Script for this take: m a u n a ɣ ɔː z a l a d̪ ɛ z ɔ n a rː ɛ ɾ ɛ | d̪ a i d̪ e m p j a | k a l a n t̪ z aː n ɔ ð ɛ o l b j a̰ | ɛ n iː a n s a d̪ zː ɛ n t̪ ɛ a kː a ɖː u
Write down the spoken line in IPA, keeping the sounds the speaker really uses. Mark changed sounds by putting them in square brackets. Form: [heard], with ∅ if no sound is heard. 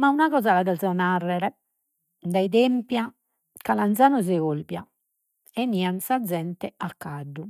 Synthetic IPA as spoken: m a u n a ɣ ɔː z a l a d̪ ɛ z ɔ n a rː ɛ ɾ ɛ | d̪ a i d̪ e m p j a | k a l a n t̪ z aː n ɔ [z] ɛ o l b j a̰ | ɛ n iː a n s a d̪ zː ɛ n t̪ ɛ a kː a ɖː u